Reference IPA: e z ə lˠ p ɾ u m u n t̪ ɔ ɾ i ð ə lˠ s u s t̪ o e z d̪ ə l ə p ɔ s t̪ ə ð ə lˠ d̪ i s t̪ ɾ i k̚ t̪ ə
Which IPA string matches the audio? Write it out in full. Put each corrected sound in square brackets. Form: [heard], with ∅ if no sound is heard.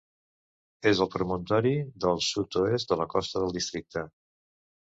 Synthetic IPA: e z ə lˠ p ɾ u m u n t̪ ɔ ɾ i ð ə lˠ s u [∅] t̪ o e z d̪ ə l ə [k] ɔ s t̪ ə ð ə lˠ d̪ i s t̪ ɾ i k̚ t̪ ə